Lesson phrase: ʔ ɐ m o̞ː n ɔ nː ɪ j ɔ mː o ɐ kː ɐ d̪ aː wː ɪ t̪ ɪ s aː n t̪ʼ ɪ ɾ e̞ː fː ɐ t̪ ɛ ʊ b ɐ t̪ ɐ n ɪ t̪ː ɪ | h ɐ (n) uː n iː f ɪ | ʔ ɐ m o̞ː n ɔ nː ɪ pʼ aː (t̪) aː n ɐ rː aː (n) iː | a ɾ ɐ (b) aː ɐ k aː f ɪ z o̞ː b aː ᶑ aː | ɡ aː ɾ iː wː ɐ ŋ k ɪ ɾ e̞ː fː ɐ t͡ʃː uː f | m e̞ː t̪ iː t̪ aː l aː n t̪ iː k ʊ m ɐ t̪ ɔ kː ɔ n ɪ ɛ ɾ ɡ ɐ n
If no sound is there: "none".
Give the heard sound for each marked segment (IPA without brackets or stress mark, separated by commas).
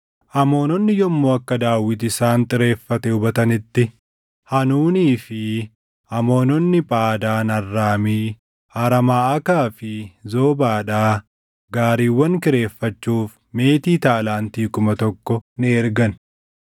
n, d̪, m, m